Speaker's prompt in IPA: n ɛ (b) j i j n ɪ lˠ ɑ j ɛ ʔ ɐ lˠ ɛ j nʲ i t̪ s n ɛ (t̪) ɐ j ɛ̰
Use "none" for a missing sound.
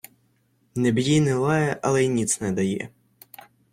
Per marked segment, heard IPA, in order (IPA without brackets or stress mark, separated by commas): b, d̪